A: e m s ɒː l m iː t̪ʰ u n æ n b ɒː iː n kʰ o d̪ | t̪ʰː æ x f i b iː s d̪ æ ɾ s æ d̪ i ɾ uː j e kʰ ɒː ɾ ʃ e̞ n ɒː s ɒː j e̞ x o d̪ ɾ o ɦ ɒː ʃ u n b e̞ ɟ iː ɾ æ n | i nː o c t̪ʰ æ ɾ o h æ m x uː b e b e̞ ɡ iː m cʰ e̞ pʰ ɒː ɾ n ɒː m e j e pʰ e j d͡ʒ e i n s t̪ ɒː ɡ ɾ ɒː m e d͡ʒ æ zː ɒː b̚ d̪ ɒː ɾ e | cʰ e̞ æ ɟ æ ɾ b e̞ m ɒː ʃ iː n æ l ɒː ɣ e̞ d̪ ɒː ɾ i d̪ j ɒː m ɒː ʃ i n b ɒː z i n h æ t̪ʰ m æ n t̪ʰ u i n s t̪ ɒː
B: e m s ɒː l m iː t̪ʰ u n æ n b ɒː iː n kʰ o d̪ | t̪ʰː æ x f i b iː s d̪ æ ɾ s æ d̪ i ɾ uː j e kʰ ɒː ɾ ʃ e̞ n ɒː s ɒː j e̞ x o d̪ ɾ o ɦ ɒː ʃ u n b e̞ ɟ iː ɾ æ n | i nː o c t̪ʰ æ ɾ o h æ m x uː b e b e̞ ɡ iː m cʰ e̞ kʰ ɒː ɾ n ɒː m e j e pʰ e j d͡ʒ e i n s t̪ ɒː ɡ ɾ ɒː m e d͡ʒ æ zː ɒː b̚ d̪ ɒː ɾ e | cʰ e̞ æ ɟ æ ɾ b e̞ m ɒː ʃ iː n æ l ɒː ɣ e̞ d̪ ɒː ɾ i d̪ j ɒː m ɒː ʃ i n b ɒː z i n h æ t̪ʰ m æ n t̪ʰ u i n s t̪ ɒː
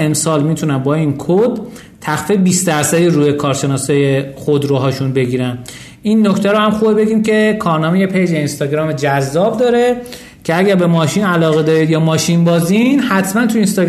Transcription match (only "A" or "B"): B